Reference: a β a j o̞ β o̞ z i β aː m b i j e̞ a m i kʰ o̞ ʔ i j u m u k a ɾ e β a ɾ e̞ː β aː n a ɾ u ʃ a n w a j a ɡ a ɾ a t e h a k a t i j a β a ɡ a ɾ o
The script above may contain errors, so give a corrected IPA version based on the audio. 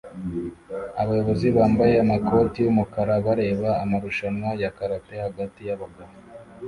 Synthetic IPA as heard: a β a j o̞ β o̞ z i β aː m b a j e̞ a m a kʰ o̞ t i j u m u k a ɾ a β a ɾ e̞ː β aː m a ɾ u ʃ a n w a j a k a ɾ a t e h a ɡ a t i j a β a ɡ a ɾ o